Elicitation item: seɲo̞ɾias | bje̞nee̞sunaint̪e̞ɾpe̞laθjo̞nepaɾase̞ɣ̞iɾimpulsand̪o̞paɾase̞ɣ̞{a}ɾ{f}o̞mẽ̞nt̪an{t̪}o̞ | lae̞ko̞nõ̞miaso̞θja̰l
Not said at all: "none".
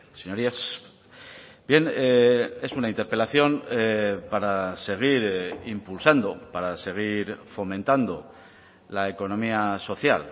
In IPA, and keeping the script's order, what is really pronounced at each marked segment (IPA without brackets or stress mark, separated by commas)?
i, f, d̪